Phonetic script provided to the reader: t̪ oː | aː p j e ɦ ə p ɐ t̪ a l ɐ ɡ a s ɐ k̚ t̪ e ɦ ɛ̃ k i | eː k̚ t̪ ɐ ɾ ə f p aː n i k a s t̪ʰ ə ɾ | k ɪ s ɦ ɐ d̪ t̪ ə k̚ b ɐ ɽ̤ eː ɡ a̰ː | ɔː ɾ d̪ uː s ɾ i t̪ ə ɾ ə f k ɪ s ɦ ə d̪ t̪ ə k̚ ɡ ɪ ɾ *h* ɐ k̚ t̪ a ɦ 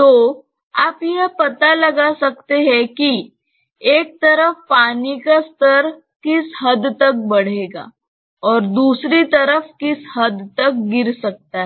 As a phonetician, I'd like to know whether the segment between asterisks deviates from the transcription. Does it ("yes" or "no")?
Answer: yes